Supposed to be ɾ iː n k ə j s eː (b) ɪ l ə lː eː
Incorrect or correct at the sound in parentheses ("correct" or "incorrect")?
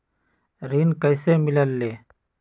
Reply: incorrect